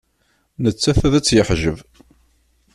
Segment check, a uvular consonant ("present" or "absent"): absent